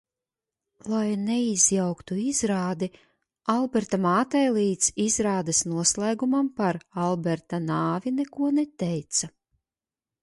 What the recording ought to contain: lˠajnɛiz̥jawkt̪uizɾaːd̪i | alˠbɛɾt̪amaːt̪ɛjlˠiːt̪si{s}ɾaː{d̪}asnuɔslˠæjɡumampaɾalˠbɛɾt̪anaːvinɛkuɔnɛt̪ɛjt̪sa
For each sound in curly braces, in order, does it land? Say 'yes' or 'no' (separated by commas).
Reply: no, yes